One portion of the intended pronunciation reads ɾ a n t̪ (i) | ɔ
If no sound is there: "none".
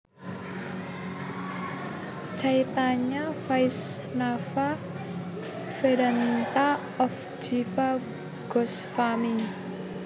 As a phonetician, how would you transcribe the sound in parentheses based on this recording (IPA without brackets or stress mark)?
a